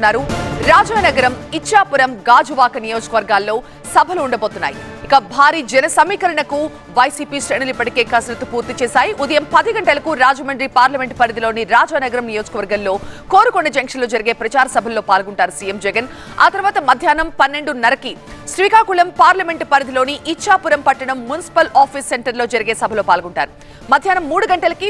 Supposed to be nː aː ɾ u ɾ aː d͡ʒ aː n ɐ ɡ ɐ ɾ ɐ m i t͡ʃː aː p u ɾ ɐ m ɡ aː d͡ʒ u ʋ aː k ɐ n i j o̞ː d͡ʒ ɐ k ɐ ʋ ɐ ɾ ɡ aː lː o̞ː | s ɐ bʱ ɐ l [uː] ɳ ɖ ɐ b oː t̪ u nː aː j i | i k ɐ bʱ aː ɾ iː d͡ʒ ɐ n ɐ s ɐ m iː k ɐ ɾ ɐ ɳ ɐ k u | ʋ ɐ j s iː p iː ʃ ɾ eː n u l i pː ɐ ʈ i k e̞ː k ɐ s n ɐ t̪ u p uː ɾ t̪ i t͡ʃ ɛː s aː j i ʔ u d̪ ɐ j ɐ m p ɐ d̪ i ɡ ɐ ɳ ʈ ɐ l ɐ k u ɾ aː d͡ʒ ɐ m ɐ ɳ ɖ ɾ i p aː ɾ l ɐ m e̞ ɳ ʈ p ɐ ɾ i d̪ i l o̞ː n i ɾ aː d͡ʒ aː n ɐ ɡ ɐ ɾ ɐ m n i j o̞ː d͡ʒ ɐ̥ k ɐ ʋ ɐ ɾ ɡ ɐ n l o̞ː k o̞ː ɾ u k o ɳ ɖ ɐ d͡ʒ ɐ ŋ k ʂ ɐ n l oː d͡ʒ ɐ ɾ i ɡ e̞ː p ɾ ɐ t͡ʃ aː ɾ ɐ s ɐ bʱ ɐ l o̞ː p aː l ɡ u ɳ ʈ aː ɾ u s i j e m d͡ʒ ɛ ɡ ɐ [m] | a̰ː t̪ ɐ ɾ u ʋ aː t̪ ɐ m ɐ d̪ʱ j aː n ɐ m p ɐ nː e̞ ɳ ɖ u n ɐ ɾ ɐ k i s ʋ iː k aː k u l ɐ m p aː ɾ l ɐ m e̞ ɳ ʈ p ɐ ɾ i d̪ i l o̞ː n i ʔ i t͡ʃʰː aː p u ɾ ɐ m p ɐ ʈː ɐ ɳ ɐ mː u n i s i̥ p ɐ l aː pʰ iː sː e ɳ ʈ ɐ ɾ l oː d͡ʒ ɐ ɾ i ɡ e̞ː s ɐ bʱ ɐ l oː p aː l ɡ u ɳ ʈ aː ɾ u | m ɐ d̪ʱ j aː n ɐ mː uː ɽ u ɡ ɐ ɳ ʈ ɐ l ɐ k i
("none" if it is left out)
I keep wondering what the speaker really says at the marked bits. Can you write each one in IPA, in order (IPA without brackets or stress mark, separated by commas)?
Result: uː, n